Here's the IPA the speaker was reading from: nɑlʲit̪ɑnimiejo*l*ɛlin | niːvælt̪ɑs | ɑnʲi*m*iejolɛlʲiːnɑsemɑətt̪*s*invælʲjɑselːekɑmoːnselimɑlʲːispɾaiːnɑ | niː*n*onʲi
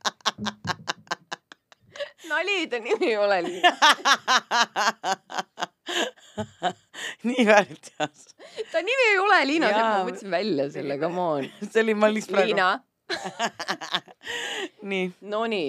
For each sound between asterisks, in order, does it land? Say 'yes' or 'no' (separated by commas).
yes, yes, yes, yes